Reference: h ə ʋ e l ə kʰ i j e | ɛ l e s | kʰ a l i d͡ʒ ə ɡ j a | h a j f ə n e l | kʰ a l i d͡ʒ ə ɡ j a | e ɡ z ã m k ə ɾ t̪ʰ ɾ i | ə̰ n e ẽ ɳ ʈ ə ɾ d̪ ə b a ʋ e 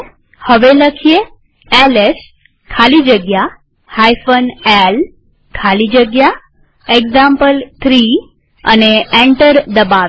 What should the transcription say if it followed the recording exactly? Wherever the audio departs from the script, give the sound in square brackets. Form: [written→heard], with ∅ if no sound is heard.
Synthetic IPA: h ə ʋ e l ə kʰ i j e | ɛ l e s | kʰ a l i d͡ʒ ə ɡ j a | h a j f ə n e l | kʰ a l i d͡ʒ ə ɡ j a | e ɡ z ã m [k→p] ə [ɾ→l] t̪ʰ ɾ i | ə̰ n e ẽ ɳ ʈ ə ɾ d̪ ə b a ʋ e

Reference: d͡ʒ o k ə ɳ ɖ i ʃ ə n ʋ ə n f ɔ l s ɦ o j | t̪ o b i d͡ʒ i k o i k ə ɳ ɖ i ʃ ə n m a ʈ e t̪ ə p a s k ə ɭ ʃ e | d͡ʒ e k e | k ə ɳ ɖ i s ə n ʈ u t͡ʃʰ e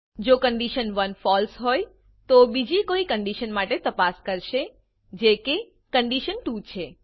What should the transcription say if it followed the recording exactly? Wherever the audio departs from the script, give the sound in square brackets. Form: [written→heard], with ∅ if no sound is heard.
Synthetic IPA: d͡ʒ o k ə ɳ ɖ i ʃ ə n ʋ ə n f ɔ l s ɦ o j | t̪ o b i d͡ʒ i k o i k ə ɳ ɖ i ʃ ə n m a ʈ e t̪ ə p a s k ə [ɭ→ɾ] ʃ e | d͡ʒ e k e | k ə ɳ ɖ i [s→ʃ] ə n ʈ u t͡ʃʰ e

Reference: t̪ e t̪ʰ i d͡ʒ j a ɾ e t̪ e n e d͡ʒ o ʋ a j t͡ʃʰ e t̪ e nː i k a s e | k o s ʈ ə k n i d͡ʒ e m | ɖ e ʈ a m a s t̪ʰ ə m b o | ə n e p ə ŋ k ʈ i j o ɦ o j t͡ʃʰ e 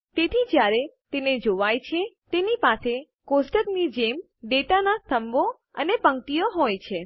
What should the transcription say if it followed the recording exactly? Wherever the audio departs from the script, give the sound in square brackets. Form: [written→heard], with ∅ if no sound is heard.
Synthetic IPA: t̪ e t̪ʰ i d͡ʒ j a ɾ e t̪ e n e d͡ʒ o ʋ a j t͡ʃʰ e t̪ e [nː→n] i [k→p] a s e | k o s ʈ ə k n i d͡ʒ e m | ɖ e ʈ a [m→n] a s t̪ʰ ə m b o | ə n e p ə ŋ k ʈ i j o ɦ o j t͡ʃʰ e

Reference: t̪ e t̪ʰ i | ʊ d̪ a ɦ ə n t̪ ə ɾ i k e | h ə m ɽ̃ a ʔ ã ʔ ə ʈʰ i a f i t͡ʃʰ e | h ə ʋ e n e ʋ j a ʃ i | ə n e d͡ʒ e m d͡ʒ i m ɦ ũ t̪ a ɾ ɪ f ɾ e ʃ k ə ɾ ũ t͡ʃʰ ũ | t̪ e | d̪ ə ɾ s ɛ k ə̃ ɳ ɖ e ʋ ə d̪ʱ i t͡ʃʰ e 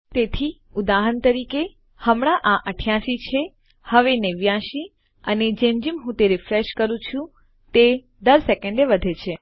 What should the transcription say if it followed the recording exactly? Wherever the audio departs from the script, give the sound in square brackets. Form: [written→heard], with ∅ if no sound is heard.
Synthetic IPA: t̪ e t̪ʰ i | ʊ d̪ a ɦ ə n t̪ ə ɾ i k e | h ə m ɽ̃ a ʔ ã ʔ ə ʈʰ [i→j] a [f→ʃ] i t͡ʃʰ e | h ə ʋ e n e ʋ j a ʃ i | ə n e d͡ʒ e m d͡ʒ i m ɦ ũ t̪ [a→e] ɾ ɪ f ɾ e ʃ k ə ɾ ũ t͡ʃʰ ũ | t̪ e | d̪ ə ɾ s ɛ k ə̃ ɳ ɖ e ʋ ə d̪ʱ [i→e] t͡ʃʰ e

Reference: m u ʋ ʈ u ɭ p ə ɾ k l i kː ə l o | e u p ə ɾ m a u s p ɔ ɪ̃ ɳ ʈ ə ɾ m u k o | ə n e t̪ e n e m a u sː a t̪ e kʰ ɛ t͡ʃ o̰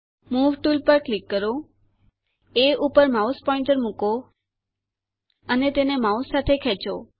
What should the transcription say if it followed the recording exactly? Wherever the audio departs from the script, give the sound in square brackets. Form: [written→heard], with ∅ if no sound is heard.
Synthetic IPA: m u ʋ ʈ u [ɭ→l] p ə ɾ k l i kː ə [l→ɾ] o | e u p ə ɾ m a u s p ɔ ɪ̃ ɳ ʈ ə ɾ m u k o | ə n e t̪ e n e m a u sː a [t̪→t̪ʰ] e kʰ ɛ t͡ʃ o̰

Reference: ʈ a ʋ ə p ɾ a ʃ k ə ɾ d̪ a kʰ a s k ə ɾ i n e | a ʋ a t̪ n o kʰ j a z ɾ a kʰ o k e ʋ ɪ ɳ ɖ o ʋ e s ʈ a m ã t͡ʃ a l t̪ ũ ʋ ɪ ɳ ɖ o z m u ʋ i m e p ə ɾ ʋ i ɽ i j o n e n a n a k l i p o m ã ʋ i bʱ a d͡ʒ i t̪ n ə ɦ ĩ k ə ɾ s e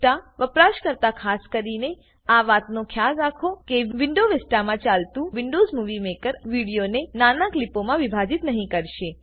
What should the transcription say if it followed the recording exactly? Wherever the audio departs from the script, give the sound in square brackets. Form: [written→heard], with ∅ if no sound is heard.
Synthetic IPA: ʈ a ʋ ə p ɾ a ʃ k ə ɾ [d̪→t̪] a kʰ a s k ə ɾ i n e | a ʋ a t̪ n o kʰ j a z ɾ a kʰ o k e ʋ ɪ ɳ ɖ o ʋ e s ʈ a m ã t͡ʃ a l t̪ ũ ʋ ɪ ɳ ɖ o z m u ʋ i m e [p→k] ə ɾ ʋ i ɽ i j o n e n a n a k l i p o m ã ʋ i bʱ a d͡ʒ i t̪ n ə ɦ ĩ k ə ɾ [s→ʃ] e

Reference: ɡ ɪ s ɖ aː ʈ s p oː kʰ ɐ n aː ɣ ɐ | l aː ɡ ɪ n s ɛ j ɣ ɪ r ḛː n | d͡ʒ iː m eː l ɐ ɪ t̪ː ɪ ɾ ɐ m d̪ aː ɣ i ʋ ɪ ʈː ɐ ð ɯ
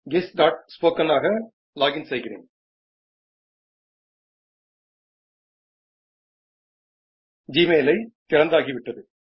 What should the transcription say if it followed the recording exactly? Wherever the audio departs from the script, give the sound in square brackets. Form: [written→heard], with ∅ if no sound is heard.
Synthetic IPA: ɡ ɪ s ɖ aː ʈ s p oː [kʰ→k] ɐ n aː ɣ ɐ | l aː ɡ ɪ n s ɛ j ɣ ɪ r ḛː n | d͡ʒ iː m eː l ɐ ɪ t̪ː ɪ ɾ ɐ [m→n] d̪ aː ɣ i ʋ ɪ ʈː ɐ ð ɯ

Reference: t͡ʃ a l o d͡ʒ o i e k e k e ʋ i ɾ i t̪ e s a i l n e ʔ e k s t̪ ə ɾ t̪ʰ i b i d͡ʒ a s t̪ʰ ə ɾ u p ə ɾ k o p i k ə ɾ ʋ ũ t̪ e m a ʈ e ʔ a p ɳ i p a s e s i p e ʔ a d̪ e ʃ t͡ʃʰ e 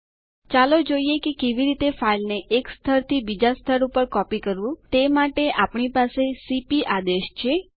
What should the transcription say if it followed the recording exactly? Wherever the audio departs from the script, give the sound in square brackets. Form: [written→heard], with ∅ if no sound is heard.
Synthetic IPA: t͡ʃ a l o d͡ʒ o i e k e k e ʋ i ɾ i t̪ e [s→f] a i l n e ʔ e k s [t̪→t̪ʰ] ə ɾ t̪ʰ i b i d͡ʒ a s t̪ʰ ə ɾ u p ə ɾ k [o→ɔ] p i k ə ɾ ʋ ũ t̪ e m a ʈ e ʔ a p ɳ i p a s e s i p [e→i] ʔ a d̪ e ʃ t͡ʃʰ e

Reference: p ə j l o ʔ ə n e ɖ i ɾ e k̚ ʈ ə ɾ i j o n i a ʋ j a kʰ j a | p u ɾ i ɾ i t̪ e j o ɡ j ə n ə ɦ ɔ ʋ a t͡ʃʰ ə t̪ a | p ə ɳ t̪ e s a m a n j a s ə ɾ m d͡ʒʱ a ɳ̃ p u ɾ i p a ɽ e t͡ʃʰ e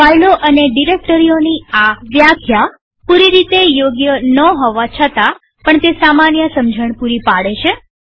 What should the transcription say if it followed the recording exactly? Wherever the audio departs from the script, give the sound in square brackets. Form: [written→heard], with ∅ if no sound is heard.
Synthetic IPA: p [ə→a] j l o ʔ ə n e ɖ i ɾ e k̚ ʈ ə ɾ i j o n i a ʋ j a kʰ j a | p u ɾ i ɾ i t̪ e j o ɡ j ə n ə ɦ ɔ ʋ a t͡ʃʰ ə t̪ a | p ə ɳ t̪ e s a m a n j [a→ə] s ə [ɾ→∅] m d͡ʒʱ [a→ə] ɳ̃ p u ɾ i p a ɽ e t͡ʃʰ e

